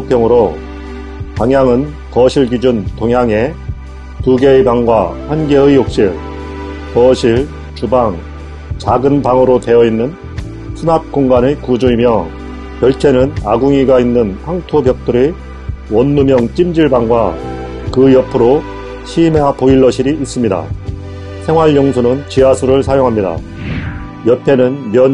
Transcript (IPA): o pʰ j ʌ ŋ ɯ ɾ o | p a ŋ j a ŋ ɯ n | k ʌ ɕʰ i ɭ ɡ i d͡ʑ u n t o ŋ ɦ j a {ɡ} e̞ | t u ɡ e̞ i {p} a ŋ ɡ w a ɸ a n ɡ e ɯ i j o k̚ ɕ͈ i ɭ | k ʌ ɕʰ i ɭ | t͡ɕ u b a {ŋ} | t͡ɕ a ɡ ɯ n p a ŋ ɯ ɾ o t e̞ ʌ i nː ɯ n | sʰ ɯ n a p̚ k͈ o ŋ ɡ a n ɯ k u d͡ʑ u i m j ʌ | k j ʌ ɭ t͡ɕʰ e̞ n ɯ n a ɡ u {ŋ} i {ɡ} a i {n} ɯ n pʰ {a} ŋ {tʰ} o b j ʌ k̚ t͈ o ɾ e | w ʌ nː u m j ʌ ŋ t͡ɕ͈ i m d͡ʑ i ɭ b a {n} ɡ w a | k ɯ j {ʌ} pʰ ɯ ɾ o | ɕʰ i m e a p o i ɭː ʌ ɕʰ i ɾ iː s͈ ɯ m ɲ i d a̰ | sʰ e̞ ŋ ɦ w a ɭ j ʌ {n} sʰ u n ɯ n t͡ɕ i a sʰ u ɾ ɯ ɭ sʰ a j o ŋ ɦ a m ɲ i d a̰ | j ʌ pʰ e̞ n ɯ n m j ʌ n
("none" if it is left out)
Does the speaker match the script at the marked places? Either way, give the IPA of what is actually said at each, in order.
ŋ, b, ŋ, ŋ, ɡ, nː, a, tʰ, ŋ, ʌ, ŋ

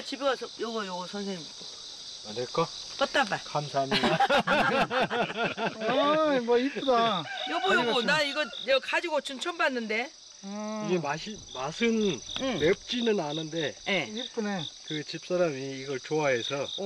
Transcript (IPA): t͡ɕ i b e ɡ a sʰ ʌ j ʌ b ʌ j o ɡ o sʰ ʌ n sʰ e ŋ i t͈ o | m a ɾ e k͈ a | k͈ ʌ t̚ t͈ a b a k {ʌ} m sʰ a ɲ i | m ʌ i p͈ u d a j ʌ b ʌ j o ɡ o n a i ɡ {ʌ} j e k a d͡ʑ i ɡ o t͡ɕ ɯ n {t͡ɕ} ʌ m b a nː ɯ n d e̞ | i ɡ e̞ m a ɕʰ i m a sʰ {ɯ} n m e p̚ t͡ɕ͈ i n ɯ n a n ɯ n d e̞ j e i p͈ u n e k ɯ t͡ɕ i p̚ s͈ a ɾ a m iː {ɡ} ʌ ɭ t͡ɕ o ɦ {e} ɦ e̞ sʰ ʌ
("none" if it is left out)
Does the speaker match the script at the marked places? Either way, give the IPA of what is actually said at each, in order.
a, ʌ, t͡ɕʰ, ɯ, ɡ, a

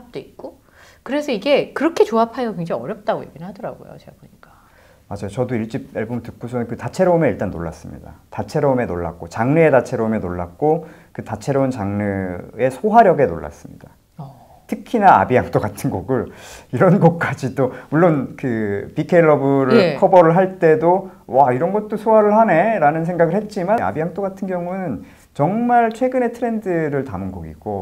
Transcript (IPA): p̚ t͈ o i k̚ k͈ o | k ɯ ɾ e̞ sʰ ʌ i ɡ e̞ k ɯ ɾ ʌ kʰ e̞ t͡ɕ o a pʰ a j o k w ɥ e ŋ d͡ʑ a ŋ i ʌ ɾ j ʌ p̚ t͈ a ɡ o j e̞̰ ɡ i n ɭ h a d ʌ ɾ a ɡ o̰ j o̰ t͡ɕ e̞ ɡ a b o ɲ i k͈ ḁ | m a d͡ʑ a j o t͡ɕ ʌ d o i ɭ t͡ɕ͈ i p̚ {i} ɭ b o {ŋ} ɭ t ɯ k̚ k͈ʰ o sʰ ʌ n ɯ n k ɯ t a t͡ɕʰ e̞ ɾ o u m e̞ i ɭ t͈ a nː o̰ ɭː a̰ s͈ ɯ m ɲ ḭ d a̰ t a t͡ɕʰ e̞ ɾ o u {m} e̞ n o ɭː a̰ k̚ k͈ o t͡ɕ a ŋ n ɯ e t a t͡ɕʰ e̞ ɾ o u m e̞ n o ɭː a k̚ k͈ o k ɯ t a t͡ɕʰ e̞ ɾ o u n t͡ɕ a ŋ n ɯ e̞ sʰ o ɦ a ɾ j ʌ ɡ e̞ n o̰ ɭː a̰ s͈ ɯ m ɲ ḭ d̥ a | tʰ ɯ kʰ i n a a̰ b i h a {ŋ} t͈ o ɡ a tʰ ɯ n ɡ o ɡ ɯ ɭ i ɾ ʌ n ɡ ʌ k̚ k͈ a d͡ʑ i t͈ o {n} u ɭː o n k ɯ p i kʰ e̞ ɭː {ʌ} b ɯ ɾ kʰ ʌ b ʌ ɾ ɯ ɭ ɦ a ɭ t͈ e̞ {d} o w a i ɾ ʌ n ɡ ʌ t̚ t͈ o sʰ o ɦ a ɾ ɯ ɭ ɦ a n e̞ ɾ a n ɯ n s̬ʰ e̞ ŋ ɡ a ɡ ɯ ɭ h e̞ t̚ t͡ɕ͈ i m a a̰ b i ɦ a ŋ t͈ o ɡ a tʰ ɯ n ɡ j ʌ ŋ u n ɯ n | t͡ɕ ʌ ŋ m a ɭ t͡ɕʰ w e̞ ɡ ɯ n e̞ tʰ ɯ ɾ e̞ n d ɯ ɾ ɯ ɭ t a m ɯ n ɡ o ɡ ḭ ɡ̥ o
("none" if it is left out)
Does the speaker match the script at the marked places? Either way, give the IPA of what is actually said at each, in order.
e, m, m, ŋ, m, ʌ, d

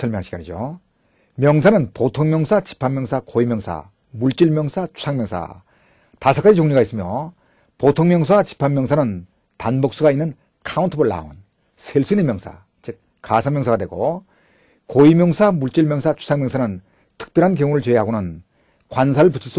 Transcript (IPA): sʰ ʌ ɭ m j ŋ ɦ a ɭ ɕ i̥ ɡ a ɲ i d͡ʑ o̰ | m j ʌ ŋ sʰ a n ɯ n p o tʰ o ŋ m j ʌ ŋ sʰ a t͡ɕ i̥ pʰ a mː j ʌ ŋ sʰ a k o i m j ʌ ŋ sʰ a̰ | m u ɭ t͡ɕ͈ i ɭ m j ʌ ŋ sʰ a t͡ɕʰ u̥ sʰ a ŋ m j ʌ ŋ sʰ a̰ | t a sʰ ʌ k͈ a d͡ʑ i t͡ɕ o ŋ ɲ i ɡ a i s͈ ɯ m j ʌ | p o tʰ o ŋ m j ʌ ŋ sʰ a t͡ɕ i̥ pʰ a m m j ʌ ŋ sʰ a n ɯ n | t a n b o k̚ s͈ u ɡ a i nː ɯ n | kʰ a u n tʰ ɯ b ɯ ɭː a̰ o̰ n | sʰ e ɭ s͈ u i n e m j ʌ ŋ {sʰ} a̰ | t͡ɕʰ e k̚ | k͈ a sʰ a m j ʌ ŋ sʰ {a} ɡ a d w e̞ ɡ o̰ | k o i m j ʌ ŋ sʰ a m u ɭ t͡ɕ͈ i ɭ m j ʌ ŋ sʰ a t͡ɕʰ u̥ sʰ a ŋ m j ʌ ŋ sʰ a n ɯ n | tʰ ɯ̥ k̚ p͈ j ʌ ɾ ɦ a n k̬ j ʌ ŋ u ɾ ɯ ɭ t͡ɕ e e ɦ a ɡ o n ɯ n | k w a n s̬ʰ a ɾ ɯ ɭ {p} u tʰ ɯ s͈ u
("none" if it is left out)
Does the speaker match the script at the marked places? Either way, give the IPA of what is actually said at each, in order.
sʰ, a, p

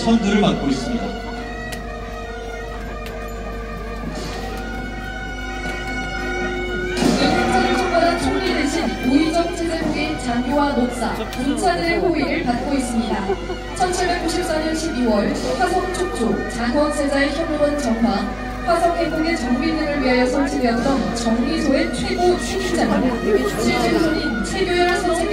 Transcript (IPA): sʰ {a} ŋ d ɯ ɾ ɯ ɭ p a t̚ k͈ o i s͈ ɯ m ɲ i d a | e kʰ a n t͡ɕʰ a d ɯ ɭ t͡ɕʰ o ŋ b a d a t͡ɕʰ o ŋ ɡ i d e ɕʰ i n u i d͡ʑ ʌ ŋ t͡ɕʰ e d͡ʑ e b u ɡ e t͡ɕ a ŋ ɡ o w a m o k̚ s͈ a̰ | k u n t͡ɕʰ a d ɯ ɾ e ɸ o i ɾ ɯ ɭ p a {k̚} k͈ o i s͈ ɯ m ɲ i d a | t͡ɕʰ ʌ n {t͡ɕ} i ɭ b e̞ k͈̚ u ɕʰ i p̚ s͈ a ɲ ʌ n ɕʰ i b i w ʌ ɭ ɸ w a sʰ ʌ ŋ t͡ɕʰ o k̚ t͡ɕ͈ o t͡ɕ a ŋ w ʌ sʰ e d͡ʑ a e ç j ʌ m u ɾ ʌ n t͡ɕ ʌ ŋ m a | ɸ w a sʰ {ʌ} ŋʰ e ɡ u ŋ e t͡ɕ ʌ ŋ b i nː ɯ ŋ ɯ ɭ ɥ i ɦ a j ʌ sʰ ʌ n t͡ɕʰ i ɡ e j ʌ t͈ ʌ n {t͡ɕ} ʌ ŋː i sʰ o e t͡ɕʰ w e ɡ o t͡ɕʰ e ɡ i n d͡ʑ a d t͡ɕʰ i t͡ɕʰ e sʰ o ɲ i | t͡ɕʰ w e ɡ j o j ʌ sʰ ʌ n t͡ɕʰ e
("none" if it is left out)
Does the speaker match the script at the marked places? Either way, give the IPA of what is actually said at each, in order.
ʌ, t̚, t͡ɕʰ, ʌ, t͡ɕ

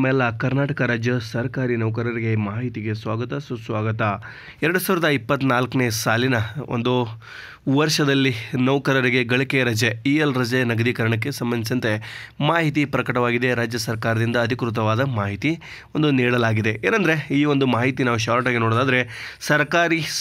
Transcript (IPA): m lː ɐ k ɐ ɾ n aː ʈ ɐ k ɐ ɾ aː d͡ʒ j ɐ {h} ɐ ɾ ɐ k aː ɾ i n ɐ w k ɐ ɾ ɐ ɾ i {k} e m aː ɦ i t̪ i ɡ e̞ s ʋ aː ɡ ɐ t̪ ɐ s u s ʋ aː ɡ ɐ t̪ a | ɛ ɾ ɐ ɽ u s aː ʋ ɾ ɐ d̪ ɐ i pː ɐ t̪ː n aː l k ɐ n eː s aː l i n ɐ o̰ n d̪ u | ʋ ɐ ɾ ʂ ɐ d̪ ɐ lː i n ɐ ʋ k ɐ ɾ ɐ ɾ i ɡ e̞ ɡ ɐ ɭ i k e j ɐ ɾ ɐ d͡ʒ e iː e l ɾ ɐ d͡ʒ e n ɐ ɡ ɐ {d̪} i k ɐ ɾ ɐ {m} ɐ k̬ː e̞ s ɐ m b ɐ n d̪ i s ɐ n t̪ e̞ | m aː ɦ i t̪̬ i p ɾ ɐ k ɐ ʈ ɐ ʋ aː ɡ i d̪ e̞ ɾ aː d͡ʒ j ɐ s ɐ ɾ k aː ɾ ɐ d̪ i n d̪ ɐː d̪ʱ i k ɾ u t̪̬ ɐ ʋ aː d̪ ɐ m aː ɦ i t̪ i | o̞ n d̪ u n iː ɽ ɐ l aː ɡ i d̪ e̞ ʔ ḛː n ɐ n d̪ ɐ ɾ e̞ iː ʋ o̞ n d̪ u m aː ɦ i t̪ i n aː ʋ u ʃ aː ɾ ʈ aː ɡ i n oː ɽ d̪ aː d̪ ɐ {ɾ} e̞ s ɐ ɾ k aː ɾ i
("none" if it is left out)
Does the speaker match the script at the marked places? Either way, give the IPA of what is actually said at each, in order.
s, ɡ, d̪, ɳ, ɾ

